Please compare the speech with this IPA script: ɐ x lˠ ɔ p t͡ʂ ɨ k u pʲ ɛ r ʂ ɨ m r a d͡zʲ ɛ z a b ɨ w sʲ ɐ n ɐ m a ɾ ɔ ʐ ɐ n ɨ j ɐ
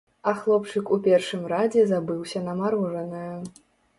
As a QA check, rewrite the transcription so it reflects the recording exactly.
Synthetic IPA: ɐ x lˠ ɔ p t͡ʂ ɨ k u pʲ ɛ r ʂ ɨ m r a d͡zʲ ɛ z a b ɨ w sʲ ɐ n ɐ m a ɾ ɔ ʐ ɐ n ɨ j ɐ